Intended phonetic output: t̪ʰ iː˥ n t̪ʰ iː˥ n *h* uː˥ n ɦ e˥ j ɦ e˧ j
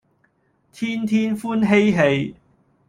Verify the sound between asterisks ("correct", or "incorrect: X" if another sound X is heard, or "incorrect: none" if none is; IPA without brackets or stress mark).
incorrect: f